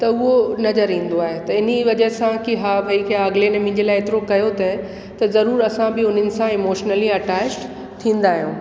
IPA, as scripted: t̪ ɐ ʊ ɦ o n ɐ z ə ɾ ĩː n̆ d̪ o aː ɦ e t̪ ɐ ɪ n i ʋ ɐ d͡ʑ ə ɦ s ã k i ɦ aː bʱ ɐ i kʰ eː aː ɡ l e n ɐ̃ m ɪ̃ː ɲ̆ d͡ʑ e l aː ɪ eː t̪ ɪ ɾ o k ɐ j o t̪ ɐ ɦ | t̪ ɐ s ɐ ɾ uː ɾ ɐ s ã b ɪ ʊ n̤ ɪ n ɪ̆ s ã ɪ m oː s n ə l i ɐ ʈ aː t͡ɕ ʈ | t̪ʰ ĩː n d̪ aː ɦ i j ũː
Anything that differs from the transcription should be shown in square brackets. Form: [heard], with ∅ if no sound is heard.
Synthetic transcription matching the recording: t̪ ɐ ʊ ɦ o n ɐ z ə ɾ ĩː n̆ d̪ o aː ɦ e t̪ ɐ ɪ n i ʋ ɐ d͡ʑ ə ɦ s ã k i ɦ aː bʱ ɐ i kʰ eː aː ɡ l e n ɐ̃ m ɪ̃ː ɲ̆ d͡ʑ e l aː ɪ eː t̪ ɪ ɾ o k ɐ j o t̪ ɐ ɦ | t̪ ɐ [z] ɐ ɾ uː ɾ ɐ s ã b ɪ ʊ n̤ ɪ n ɪ̆ s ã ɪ m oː [ʃ] n ə l i ɐ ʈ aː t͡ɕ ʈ | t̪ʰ ĩː n d̪ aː ɦ i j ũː